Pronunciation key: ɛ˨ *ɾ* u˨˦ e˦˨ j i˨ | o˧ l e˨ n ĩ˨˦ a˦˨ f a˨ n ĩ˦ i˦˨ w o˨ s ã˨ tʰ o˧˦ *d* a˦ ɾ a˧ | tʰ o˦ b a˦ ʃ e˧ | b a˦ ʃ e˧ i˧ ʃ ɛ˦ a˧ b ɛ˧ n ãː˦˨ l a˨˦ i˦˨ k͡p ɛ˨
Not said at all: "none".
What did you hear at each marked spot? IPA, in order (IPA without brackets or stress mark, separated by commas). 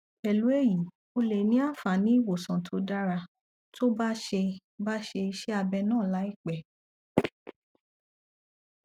l, d